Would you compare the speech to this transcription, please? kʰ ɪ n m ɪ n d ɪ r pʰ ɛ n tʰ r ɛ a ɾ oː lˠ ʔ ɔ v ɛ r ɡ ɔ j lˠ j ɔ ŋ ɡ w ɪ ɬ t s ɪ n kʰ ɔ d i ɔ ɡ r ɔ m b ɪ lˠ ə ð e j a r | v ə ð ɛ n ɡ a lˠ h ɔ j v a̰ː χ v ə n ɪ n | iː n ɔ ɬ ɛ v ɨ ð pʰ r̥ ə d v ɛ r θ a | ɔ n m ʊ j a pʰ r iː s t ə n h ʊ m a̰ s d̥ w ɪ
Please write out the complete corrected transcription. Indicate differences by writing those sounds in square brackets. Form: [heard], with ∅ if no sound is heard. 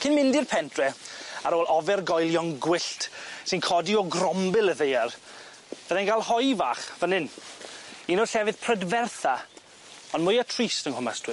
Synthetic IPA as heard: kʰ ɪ n m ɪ n d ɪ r pʰ ɛ n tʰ r ɛ a ɾ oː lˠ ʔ ɔ v ɛ r ɡ ɔ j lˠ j ɔ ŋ ɡ w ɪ ɬ t s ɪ n kʰ ɔ d i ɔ ɡ r ɔ m b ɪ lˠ ə ð e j a r | v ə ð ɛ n ɡ a lˠ h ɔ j v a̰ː χ v ə n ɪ n | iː n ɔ ɬ ɛ v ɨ ð pʰ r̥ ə d v ɛ r θ a | ɔ n m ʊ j a [tʰ] r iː s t ə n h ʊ m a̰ s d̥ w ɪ